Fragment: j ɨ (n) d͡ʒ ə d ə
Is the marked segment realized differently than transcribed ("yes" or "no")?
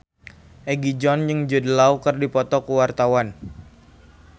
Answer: yes